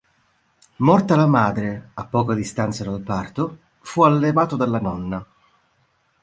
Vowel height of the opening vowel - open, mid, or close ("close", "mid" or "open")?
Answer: mid